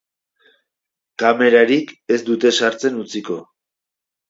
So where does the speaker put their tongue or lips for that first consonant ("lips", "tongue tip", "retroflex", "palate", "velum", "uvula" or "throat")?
velum